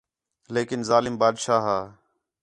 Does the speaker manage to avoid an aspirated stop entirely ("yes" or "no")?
yes